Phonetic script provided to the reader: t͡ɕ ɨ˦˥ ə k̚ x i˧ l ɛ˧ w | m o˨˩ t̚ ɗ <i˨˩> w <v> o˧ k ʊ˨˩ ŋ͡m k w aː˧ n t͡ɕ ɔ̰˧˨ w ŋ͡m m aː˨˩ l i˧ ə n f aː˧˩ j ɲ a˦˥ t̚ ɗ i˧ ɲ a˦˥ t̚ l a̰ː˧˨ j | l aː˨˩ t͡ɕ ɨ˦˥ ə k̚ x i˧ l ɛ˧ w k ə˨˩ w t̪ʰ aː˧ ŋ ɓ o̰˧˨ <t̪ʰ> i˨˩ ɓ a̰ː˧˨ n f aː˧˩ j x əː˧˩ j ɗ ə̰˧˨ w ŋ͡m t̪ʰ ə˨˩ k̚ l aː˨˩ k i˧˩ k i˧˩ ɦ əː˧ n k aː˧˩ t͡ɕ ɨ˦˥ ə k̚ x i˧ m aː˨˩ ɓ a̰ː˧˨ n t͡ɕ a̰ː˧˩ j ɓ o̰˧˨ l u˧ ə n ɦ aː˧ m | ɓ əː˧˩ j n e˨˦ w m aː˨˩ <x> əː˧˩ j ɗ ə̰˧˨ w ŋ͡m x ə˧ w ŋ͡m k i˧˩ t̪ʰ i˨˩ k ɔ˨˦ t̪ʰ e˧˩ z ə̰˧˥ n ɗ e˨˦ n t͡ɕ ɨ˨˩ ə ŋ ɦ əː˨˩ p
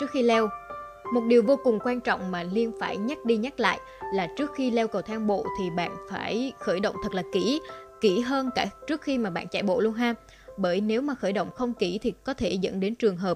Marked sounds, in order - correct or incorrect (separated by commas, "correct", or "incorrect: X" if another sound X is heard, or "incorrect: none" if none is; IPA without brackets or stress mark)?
correct, correct, correct, correct